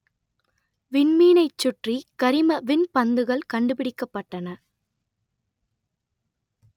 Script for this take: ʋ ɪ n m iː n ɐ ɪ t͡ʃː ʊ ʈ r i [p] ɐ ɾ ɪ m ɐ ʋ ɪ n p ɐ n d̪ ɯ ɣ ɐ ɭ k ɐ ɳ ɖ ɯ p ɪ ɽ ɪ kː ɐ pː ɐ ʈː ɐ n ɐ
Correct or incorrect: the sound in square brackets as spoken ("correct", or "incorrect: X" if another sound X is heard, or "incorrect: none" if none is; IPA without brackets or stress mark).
incorrect: k